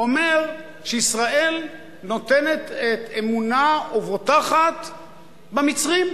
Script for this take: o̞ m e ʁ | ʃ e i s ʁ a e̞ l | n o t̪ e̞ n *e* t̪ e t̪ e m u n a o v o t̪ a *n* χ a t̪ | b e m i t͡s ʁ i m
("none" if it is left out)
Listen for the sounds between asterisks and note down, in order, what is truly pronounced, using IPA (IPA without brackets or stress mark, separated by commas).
e, none